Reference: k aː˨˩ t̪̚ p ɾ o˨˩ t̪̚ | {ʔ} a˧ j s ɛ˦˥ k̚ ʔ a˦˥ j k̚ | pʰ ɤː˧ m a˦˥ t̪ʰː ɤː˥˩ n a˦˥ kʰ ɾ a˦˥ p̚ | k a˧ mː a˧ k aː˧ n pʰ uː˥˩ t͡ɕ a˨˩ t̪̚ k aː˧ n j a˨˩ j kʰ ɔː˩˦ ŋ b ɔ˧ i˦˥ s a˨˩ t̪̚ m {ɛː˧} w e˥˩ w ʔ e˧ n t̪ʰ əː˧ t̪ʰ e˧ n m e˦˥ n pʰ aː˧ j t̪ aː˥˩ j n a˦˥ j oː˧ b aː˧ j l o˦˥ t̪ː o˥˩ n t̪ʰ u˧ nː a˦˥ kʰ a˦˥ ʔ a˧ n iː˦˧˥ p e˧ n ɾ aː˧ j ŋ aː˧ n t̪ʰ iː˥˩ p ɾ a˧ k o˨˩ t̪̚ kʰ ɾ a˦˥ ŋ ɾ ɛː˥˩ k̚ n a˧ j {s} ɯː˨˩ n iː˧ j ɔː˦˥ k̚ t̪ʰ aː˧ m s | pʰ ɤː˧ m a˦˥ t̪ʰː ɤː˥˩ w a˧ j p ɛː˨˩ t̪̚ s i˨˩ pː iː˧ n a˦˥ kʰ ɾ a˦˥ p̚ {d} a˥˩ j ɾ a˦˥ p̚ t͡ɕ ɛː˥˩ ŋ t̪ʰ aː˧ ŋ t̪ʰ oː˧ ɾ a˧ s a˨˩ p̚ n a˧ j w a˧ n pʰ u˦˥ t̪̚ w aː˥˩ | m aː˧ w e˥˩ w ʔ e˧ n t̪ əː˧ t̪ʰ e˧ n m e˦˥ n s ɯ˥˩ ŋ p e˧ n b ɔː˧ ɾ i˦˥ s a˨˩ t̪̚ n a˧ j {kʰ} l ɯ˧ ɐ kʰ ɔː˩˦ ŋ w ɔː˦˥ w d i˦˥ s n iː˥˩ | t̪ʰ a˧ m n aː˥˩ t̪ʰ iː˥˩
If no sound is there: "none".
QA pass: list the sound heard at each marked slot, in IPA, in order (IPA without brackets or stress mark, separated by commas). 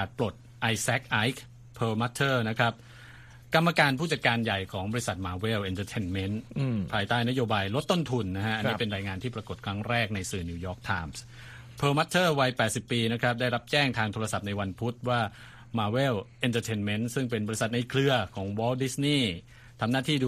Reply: ʔ, aː˧, s, d, kʰ